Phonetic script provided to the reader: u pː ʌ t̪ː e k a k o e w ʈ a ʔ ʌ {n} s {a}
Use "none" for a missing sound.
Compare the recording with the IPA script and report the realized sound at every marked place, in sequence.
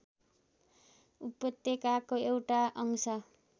ŋ, ʌ

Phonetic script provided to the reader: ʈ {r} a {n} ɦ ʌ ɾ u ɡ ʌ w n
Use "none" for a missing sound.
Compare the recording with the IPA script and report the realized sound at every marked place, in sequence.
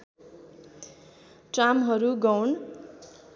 r, m

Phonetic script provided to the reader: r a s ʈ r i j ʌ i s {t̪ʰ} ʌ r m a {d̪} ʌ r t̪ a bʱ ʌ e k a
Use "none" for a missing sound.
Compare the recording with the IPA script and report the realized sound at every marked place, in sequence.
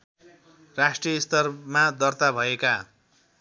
t̪, d̪

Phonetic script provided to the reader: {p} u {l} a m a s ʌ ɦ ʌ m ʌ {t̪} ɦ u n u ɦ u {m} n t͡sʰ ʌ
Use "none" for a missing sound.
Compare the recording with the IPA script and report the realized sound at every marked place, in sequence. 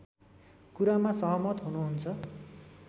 k, ɾ, t̪, none

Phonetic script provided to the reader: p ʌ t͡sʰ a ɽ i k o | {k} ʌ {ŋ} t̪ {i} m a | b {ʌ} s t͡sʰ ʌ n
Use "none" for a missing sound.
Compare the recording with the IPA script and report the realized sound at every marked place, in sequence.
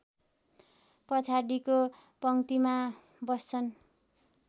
p, ŋ, i, ʌ

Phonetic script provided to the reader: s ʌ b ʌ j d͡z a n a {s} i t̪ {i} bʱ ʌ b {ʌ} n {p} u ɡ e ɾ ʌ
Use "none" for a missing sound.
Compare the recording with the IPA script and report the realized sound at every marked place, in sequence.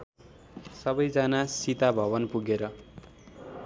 s, a, ʌ, p

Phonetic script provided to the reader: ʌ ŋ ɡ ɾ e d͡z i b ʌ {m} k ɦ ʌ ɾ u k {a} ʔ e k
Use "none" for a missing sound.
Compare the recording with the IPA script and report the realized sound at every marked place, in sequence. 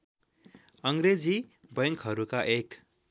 ŋ, a

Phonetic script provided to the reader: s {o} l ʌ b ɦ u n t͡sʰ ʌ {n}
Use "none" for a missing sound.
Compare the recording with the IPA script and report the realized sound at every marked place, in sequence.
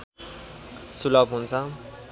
u, none

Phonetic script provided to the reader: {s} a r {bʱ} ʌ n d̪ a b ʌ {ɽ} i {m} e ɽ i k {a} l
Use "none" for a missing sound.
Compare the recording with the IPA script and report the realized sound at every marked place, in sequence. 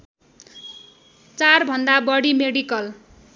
t͡s, bʱ, ɽ, m, ʌ

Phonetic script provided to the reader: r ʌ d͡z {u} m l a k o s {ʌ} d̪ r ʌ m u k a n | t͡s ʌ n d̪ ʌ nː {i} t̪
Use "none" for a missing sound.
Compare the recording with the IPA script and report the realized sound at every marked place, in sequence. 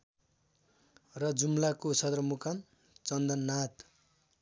u, ʌ, a

